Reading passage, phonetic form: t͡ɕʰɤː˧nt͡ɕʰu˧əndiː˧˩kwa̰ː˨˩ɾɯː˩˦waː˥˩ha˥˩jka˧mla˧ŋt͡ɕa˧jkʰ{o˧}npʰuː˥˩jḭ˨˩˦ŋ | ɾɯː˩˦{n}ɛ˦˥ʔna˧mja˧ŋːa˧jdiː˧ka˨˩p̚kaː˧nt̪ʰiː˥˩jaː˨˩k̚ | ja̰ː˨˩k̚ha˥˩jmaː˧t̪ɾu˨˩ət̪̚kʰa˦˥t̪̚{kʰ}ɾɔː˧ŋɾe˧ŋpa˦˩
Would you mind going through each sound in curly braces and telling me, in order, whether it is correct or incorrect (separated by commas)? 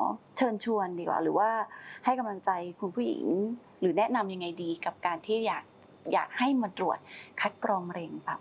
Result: incorrect, correct, incorrect